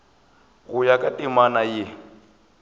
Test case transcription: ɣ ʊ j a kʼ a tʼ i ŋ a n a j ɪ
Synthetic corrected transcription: ɣ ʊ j a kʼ a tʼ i m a n a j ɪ

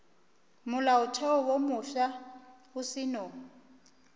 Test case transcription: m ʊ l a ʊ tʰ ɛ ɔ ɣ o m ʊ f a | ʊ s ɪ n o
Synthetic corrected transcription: m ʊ l a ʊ tʰ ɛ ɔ w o m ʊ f a | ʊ s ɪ n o

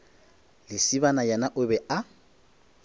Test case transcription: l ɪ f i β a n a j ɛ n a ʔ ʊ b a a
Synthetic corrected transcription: l ɪ s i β a n a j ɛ n a ʔ ʊ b ɛ a

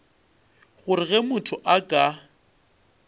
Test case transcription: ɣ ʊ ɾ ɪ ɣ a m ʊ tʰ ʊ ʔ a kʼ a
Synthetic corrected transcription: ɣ ʊ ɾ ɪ ɣ ɛ m ʊ tʰ ʊ ʔ a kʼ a

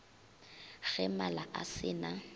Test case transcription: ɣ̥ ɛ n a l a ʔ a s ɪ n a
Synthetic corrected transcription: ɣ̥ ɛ m a l a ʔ a s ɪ n a

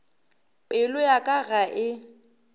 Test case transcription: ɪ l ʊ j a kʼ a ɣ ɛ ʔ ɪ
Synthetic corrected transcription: ɪ l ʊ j a kʼ a ɣ a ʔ ɪ

